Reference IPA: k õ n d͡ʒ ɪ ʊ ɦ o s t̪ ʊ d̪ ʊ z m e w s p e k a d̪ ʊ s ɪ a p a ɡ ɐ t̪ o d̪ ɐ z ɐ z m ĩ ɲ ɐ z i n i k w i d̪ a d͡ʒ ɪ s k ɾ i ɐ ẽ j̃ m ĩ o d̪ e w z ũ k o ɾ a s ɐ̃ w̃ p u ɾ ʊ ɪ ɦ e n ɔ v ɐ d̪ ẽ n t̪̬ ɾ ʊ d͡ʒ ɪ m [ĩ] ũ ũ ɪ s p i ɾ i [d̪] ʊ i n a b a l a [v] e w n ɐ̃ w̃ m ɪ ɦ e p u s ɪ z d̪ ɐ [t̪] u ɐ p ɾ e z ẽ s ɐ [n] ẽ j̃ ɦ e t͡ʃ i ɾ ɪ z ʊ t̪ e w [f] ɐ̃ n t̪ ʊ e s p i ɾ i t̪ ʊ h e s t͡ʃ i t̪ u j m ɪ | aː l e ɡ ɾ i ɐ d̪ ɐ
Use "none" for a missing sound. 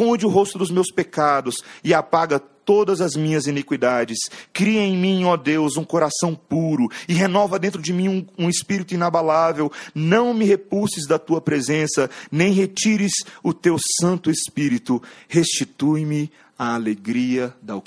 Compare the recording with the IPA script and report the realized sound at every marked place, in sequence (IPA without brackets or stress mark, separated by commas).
ĩ, t̪, v, t̪, n, s